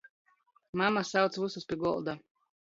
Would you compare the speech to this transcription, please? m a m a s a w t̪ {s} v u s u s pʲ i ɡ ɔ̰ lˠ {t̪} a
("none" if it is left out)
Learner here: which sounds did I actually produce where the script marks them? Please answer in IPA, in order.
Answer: s, d̪

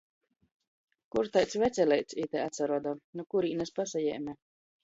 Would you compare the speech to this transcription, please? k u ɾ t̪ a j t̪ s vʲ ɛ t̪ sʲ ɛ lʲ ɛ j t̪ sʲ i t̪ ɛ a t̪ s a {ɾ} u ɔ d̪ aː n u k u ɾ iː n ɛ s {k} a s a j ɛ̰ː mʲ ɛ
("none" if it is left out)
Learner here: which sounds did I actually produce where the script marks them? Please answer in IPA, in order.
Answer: ɾ, p

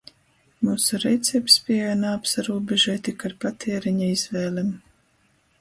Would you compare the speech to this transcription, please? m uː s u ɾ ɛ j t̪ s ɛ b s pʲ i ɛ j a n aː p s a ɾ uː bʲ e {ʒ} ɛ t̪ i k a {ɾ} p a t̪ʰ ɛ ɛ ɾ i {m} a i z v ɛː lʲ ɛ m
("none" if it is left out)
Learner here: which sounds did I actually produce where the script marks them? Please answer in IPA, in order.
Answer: ʒ, ɾ, ɲ

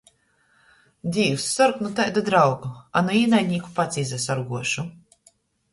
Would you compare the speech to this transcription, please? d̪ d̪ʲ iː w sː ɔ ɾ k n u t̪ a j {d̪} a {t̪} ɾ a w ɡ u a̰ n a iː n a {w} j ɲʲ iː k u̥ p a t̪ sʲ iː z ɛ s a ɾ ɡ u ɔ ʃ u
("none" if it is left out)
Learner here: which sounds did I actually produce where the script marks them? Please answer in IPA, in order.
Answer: d̪, d̪, none

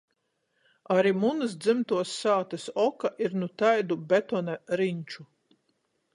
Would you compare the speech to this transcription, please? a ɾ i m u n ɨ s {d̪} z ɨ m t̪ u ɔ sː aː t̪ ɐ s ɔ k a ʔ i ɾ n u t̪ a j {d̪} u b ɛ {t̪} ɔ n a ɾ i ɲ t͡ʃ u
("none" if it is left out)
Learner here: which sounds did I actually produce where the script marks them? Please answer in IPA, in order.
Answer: d̪, d̪, t̪

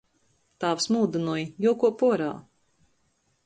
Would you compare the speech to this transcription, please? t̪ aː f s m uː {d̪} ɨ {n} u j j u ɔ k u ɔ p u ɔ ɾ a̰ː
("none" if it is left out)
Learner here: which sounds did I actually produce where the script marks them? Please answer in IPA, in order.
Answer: d̪, n

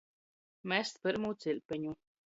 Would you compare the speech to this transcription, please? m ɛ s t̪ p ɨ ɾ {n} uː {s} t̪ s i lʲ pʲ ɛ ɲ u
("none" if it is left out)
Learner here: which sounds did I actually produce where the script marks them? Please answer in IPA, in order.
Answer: m, none

